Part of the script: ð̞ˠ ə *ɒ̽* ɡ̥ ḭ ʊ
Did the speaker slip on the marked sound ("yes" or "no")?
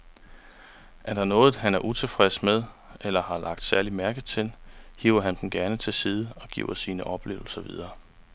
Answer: no